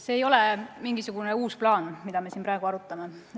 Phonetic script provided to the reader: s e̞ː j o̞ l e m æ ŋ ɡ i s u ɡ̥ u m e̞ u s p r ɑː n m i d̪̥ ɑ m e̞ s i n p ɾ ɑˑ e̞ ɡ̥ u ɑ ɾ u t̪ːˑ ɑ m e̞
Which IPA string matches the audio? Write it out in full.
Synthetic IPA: s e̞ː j o̞ l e m i ŋ ɡ i s u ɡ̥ u n e̞ uː s p l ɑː n m i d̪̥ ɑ m e̞ s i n p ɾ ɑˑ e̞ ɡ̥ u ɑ ɾ u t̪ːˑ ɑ m e̞